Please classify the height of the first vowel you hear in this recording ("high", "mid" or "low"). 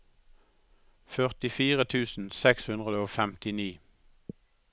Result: mid